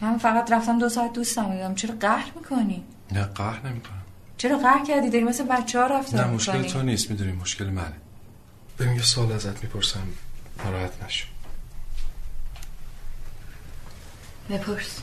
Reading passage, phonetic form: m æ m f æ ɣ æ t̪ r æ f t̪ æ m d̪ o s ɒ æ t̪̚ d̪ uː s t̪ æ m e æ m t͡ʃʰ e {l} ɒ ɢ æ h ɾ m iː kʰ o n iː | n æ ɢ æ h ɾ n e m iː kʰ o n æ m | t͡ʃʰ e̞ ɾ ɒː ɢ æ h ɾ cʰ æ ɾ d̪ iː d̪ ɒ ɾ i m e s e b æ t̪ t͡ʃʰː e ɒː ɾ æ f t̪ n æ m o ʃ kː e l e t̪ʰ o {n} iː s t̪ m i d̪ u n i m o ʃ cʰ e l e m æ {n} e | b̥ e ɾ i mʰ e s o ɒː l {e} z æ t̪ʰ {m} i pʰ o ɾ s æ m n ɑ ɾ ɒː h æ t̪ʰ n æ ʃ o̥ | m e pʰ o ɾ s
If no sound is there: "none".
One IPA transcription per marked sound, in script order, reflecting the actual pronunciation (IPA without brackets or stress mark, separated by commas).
ɾ, n, n, æ, m